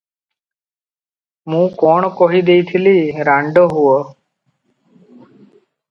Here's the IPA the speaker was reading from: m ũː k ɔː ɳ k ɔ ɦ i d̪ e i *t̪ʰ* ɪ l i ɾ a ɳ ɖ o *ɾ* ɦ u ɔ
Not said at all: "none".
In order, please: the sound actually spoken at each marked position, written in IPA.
t̪ʰ, none

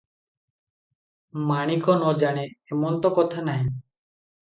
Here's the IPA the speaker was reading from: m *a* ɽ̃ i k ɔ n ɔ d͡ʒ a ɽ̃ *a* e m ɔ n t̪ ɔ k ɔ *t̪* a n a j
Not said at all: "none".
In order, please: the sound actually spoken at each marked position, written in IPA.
a, e, t̪ʰ

